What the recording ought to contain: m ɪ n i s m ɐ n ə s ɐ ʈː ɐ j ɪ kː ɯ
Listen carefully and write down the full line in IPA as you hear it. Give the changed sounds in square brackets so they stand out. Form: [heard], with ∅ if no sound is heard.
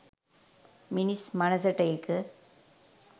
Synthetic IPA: m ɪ n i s m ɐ n [ɐ] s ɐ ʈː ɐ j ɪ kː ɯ